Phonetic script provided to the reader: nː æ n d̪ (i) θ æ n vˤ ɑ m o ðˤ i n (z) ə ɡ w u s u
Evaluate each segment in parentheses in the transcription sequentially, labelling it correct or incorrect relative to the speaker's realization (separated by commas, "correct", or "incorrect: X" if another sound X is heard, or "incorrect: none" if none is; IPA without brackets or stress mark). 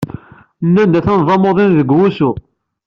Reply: incorrect: æ, incorrect: ð